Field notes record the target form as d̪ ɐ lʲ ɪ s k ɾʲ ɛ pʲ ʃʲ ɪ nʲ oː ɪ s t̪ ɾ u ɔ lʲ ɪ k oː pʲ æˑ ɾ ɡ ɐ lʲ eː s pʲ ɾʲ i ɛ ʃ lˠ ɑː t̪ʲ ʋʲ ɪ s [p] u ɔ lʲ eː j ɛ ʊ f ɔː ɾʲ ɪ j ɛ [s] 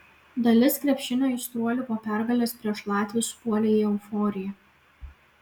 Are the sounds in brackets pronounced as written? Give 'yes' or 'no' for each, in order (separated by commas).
yes, no